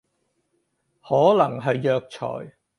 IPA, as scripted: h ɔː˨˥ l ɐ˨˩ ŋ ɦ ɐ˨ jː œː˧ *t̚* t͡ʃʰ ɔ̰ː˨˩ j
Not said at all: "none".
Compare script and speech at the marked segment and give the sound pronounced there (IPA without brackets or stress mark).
k̚